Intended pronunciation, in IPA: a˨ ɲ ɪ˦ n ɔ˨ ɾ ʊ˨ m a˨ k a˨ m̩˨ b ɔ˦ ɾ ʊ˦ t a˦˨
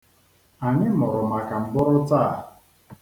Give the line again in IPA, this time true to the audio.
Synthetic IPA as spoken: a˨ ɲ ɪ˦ m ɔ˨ ɾ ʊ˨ m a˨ k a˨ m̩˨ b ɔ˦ ɾ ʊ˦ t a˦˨